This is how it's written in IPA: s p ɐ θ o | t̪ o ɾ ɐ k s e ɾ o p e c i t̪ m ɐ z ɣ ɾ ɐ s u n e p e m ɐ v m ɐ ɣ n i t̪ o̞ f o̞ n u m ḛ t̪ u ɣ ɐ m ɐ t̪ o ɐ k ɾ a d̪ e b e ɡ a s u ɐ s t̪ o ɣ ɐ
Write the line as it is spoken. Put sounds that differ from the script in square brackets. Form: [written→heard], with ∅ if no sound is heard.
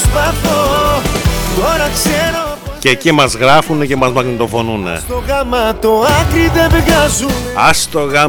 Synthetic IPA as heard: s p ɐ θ o | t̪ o ɾ ɐ k s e ɾ o [p→c] e c i [t̪→∅] m ɐ z ɣ ɾ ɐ [s→f] u n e [p→c] e m ɐ [v→z] m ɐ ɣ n i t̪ o̞ f o̞ n u [m→n] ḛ t̪ [u→o] ɣ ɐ m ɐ t̪ o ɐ k ɾ [a→i] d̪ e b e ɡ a [s→z] u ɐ s t̪ o ɣ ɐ